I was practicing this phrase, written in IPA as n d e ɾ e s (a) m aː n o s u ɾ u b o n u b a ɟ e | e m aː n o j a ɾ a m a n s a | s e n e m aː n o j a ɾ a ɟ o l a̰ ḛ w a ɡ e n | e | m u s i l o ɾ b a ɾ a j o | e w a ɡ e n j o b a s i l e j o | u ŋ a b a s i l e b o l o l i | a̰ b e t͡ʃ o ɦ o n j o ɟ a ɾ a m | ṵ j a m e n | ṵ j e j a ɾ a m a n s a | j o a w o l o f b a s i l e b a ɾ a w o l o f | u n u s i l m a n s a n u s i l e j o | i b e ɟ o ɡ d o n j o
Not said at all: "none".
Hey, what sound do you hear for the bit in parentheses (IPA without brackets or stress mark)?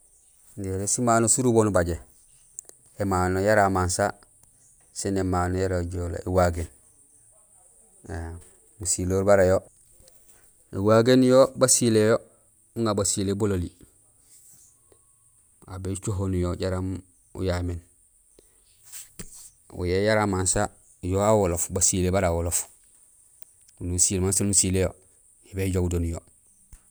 i